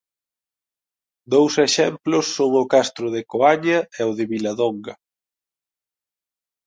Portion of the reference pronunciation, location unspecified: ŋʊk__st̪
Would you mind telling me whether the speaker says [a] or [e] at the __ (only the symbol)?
a